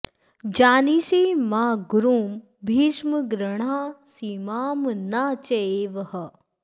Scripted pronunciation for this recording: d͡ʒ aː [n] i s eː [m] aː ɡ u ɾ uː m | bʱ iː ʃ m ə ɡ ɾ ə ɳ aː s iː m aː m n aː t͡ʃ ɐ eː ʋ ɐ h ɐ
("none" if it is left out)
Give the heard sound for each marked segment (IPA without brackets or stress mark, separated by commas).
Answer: n, m